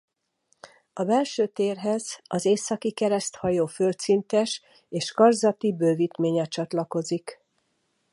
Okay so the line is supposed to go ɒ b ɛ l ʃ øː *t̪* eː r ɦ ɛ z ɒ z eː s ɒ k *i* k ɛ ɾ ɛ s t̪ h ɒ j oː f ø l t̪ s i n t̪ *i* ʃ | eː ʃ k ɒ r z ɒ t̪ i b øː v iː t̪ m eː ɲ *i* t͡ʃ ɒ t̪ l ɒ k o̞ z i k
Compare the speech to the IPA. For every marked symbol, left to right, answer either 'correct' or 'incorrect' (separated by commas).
correct, correct, incorrect, incorrect